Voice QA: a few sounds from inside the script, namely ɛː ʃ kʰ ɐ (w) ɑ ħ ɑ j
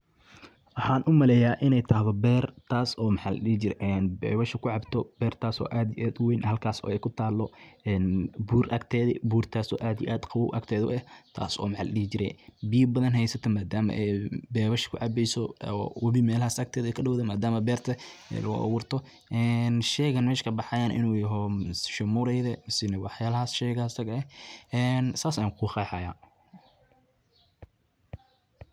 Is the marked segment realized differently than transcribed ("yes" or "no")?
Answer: yes